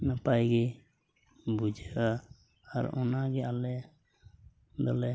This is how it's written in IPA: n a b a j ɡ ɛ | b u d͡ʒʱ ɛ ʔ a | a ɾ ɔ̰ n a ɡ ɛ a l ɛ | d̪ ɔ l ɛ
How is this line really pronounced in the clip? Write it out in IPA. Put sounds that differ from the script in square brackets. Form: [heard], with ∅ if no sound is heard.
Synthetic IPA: n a [p] a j ɡ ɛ | b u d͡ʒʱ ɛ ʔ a | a ɾ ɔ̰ n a ɡ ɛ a l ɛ | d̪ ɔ l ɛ